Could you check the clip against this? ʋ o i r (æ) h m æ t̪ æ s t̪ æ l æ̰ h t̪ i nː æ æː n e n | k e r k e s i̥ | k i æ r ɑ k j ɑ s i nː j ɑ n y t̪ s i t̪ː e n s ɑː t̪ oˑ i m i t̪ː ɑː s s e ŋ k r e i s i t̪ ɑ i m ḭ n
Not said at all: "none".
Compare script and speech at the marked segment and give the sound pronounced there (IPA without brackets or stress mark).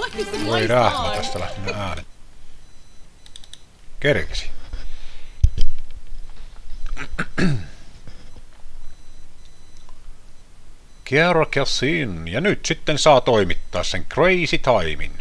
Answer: æ